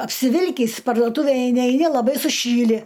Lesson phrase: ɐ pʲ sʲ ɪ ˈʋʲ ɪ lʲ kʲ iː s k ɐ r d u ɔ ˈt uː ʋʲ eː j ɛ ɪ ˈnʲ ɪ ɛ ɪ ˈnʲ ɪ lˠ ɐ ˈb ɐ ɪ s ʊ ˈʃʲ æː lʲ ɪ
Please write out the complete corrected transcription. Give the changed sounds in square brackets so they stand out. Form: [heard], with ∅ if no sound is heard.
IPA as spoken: ɐ pʲ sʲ ɪ ˈʋʲ ɪ lʲ kʲ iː s [p] ɐ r d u ɔ ˈt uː ʋʲ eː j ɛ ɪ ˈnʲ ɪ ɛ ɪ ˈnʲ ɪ lˠ ɐ ˈb ɐ ɪ s ʊ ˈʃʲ [iː] lʲ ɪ